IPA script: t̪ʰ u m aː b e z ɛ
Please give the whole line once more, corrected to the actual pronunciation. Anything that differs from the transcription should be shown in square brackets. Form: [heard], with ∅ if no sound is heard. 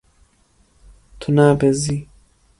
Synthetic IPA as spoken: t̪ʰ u [n] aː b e z [i]